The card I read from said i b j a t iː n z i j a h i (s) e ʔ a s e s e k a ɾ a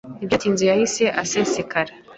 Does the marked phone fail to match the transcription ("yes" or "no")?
no